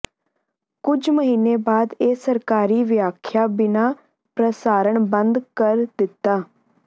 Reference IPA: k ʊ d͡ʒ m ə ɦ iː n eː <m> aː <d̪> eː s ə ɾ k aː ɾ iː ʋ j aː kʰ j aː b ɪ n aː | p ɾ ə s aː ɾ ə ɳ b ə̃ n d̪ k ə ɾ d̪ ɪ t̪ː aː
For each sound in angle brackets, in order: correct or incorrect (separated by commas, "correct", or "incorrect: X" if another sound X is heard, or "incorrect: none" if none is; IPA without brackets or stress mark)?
incorrect: b, correct